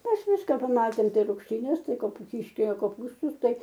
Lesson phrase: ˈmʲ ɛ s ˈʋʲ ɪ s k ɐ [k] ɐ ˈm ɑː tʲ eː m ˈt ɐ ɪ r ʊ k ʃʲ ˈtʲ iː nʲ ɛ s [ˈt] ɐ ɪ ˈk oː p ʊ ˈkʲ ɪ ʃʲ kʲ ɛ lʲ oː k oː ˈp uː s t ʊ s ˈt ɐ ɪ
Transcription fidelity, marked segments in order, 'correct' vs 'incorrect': incorrect, correct

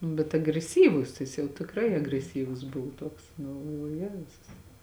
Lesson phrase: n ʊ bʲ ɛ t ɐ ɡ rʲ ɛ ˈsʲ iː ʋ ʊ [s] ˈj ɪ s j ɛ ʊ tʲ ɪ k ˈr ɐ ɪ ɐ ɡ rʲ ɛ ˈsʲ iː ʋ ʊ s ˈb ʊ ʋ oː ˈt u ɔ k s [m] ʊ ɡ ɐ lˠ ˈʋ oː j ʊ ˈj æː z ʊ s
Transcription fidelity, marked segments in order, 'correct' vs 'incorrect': correct, incorrect

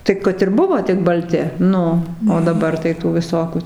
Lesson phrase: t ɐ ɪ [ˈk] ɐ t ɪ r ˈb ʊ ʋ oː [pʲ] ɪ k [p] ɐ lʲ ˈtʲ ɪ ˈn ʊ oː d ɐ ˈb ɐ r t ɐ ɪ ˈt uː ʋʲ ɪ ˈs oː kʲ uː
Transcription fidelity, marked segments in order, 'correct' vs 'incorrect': correct, incorrect, incorrect

